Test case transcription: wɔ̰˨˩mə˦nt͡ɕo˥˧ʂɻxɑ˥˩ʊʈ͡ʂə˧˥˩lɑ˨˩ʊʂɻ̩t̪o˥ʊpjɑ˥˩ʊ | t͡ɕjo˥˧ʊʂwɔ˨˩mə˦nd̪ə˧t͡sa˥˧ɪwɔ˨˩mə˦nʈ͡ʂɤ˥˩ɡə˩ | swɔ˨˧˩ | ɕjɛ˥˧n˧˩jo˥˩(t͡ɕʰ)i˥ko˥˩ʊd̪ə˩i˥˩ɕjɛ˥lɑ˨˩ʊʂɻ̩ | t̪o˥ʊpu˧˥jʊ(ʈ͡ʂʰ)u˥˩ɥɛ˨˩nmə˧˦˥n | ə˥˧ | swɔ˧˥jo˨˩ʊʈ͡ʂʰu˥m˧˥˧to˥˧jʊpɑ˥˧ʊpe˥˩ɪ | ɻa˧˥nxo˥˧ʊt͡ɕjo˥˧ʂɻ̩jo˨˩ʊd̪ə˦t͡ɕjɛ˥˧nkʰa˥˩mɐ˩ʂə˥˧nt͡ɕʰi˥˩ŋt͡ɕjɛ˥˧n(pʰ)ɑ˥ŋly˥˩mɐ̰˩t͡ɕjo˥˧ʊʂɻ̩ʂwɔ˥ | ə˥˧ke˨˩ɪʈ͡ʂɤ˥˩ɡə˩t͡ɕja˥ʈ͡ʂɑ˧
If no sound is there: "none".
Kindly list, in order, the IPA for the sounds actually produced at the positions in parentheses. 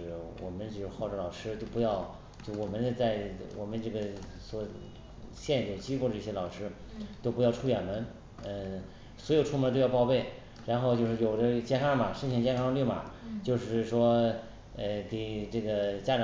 t͡ɕ, ʈ͡ʂʰ, kʰ

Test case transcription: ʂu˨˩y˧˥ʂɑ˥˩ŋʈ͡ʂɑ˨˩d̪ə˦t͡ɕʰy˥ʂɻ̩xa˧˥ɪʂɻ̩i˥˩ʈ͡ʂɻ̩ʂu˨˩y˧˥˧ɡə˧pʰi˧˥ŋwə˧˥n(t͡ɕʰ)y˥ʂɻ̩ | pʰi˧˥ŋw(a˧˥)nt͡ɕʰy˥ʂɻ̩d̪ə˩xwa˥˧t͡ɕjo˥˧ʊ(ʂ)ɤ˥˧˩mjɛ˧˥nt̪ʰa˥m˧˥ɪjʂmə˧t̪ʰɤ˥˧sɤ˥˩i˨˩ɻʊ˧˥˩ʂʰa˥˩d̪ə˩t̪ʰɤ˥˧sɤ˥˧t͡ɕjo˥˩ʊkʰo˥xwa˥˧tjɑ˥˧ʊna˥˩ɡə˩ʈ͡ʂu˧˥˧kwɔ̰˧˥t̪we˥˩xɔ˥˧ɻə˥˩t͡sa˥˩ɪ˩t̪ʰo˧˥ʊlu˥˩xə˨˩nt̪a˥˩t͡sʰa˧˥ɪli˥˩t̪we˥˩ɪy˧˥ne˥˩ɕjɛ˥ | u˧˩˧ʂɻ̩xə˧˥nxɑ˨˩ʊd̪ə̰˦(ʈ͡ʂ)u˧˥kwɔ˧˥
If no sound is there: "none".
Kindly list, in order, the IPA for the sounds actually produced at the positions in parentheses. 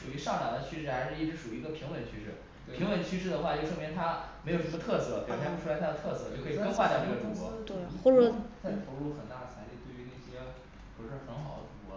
t͡ɕʰ, ə˧˥, ʂ, ʈ͡ʂ

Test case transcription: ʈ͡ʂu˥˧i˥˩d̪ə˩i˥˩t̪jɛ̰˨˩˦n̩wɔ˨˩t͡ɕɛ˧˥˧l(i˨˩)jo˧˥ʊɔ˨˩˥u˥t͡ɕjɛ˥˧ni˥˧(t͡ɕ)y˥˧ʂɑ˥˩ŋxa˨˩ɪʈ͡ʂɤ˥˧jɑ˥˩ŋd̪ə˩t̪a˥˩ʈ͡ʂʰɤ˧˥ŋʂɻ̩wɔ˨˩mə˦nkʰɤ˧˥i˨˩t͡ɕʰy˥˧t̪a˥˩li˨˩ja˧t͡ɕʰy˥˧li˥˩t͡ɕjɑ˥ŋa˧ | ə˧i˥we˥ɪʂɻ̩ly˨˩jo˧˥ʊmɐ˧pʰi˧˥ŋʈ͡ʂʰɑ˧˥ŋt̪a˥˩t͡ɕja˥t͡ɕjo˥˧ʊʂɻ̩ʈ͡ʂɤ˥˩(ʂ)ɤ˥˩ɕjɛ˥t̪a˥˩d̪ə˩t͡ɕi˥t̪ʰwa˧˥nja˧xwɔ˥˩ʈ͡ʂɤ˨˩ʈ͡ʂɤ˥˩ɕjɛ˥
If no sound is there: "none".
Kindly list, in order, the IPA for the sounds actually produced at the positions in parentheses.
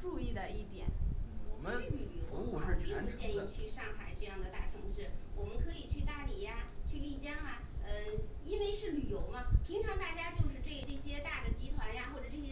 y˨˩, t͡ɕʰ, ʈ͡ʂ

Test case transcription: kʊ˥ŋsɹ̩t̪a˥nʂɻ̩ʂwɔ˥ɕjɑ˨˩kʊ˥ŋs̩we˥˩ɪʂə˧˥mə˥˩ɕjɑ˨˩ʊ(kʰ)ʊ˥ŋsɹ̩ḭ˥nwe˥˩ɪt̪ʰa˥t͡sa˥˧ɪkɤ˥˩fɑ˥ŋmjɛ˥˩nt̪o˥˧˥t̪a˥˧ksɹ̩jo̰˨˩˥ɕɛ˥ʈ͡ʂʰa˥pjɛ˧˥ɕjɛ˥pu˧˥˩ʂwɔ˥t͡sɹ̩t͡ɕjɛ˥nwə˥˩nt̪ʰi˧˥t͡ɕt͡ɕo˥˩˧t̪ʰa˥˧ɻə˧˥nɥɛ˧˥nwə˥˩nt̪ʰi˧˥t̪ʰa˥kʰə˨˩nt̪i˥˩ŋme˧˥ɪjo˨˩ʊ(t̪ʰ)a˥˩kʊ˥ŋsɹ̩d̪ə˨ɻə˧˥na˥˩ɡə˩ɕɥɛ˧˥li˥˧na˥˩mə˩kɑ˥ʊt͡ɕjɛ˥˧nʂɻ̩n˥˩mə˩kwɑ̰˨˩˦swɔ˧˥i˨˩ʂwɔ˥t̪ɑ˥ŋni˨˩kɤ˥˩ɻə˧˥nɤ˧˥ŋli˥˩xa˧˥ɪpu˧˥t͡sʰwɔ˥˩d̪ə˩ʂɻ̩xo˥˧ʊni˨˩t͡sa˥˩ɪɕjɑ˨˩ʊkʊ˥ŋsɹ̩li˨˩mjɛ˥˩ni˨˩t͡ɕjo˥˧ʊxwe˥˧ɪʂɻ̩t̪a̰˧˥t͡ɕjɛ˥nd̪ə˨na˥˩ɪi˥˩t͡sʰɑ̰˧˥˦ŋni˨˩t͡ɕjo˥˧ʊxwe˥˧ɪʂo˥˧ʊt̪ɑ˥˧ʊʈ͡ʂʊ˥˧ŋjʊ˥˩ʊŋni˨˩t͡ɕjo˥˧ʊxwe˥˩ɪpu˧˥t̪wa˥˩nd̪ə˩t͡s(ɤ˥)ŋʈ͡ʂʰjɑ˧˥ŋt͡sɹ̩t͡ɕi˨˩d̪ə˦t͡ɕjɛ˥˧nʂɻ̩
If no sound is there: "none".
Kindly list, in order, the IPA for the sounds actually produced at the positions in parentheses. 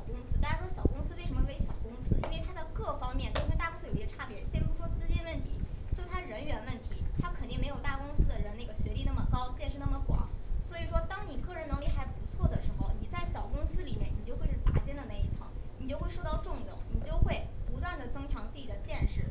k, t̪, ɤ˥

